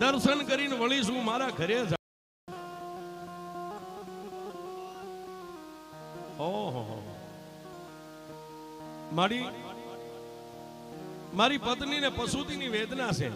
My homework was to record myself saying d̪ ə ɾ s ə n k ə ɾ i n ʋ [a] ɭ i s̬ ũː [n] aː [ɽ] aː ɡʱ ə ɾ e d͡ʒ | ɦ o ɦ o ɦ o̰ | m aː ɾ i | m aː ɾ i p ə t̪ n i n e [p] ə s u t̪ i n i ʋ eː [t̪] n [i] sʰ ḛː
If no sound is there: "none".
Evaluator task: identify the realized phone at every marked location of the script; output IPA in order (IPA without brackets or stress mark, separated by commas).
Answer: ə, m, ɾ, p, d̪, a